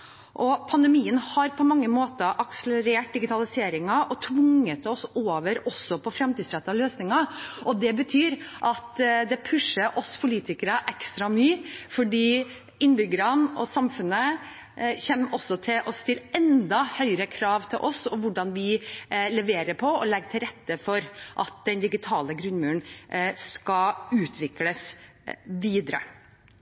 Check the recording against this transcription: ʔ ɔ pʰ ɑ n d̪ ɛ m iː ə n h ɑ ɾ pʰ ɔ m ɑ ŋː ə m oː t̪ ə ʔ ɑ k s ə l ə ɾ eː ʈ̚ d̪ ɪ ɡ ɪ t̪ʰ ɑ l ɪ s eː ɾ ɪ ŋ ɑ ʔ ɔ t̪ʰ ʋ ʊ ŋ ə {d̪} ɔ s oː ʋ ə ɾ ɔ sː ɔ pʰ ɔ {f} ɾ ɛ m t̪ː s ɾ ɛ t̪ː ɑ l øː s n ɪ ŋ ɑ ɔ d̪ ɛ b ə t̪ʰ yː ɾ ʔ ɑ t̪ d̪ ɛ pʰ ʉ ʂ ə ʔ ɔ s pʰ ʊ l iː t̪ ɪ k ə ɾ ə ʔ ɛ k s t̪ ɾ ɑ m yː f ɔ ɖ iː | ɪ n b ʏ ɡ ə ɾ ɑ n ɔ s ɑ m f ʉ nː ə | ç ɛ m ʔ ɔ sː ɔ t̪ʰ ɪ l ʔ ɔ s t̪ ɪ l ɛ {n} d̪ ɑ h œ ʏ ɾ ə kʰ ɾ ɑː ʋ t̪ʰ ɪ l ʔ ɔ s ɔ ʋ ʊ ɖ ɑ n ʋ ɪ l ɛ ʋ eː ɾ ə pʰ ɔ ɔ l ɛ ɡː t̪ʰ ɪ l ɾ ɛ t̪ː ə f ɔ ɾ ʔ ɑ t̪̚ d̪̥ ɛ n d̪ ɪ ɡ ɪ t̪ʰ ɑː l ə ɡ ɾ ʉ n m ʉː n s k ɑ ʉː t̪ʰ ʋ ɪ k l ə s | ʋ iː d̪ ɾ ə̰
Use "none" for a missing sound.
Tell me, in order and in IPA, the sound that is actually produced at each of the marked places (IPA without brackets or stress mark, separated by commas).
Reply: t̪, f, n